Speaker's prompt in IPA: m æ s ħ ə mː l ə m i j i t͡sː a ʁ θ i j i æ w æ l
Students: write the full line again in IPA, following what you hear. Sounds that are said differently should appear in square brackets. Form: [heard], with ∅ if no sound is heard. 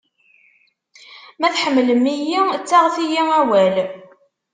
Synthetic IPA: m æ [θ] ħ ə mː l ə m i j i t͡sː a ʁ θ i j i æ w æ l